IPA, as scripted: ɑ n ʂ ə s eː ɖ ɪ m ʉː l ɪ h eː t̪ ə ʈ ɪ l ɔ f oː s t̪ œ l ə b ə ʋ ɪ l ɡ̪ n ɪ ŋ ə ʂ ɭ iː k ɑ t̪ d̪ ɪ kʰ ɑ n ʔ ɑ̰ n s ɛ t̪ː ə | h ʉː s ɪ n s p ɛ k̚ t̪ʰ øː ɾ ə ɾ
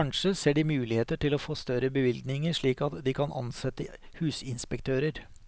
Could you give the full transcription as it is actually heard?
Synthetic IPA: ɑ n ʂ ə s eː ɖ ɪ m ʉː l ɪ h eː t̪ ə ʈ ɪ l ɔ f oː s t̪ œ ɾ ə b ə ʋ ɪ l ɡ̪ n ɪ ŋ ə ʂ ɭ iː k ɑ t̪ d̪ ɪ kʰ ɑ n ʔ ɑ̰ n s ɛ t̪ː ə | h ʉː s ɪ n s p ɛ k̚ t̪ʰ øː ɾ ə ɾ